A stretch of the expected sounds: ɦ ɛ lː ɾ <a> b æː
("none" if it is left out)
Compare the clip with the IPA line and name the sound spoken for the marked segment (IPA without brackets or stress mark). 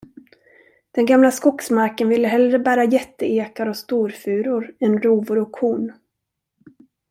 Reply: ə